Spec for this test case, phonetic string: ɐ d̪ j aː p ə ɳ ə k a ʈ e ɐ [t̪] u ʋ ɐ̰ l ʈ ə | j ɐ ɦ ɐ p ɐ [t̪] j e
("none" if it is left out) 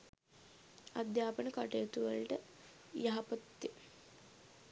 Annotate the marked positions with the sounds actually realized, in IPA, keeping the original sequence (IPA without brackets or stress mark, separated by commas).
t̪, t̪